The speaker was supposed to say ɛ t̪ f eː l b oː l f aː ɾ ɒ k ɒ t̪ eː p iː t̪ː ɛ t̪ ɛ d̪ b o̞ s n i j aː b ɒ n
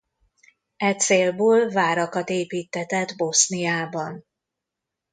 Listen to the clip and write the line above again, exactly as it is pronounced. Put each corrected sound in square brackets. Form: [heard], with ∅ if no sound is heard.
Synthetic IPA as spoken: ɛ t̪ [s] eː l b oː l [v] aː ɾ ɒ k ɒ t̪ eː p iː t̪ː ɛ t̪ ɛ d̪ b o̞ s n i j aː b ɒ n